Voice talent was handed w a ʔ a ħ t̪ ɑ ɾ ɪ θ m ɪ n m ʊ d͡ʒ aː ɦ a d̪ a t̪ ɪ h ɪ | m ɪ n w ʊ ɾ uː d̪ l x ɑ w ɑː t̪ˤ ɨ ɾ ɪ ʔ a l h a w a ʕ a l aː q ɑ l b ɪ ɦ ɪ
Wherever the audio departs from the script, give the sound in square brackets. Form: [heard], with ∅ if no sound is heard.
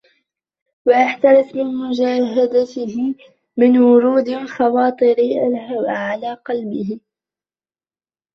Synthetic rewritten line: w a ʔ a ħ t̪ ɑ ɾ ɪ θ m ɪ n m ʊ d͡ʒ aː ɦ a d̪ a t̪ ɪ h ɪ | m ɪ n w ʊ ɾ uː d̪ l x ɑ w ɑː t̪ˤ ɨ ɾ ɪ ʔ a l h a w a ʕ a l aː q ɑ l b ɪ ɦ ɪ